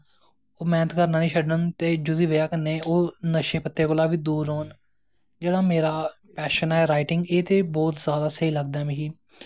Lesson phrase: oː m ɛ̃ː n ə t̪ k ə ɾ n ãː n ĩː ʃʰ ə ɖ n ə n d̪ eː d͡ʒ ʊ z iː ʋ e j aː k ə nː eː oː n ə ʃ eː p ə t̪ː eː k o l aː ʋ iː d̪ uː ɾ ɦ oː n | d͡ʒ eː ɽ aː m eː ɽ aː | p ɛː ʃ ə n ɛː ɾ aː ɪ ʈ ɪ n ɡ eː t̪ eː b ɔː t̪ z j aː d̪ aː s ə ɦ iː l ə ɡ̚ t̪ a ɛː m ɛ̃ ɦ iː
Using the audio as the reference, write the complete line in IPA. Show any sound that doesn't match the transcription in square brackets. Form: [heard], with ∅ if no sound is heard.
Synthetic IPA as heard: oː m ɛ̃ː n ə t̪ k ə ɾ n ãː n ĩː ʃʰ ə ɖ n ə n [t̪] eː d͡ʒ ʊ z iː ʋ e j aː k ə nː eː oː n ə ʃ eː p ə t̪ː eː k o l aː ʋ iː d̪ uː ɾ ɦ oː n | d͡ʒ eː ɽ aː m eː [ɾ] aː | p ɛː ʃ ə n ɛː ɾ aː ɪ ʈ ɪ [ŋ] ɡ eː t̪ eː b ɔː t̪ z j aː d̪ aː s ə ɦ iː l ə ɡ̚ [d̪] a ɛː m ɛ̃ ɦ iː

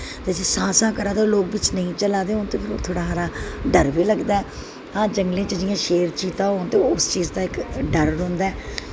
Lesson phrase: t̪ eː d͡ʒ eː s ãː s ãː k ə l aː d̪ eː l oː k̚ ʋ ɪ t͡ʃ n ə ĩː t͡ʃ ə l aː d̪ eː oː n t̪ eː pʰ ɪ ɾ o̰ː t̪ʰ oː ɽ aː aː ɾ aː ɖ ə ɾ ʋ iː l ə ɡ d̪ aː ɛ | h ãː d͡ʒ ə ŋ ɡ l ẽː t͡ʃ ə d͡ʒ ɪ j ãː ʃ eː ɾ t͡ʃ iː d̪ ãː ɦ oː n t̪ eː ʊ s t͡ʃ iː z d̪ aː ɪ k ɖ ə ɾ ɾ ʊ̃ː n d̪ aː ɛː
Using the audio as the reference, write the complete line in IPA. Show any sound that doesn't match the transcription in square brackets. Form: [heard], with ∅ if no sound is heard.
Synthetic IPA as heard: t̪ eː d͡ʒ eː s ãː s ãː k ə [ɾ] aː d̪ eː l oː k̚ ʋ ɪ t͡ʃ n ə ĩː t͡ʃ ə l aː d̪ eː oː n t̪ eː pʰ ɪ ɾ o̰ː t̪ʰ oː ɽ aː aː ɾ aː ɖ ə ɾ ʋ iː l ə ɡ d̪ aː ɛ | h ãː d͡ʒ ə ŋ ɡ l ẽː t͡ʃ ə d͡ʒ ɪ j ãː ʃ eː ɾ t͡ʃ iː [t̪] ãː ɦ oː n t̪ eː ʊ s t͡ʃ iː z d̪ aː ɪ k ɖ ə ɾ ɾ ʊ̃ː n d̪ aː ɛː

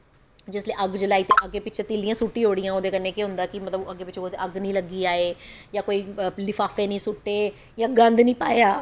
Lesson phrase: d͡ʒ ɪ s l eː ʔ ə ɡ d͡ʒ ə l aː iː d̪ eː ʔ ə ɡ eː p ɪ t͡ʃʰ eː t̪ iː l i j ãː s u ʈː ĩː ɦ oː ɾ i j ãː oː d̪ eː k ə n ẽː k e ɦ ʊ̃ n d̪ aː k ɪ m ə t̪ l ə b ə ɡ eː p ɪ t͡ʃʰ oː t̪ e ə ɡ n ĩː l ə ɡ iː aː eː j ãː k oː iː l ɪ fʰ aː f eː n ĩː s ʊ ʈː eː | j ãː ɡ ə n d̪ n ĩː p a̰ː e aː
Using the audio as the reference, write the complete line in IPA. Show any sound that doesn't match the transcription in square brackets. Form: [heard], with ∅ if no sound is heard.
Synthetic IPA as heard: d͡ʒ ɪ s l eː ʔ ə ɡ d͡ʒ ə l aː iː [t̪] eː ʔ ə ɡ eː p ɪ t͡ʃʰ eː t̪ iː l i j ãː s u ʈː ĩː ɦ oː [ɽ] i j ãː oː d̪ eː k ə n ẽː k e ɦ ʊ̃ n d̪ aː k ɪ m ə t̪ l ə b ə ɡ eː p ɪ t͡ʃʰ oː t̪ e ə ɡ n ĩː l ə ɡ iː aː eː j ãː k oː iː l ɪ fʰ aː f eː n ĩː s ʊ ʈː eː | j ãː ɡ ə n d̪ n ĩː p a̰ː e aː

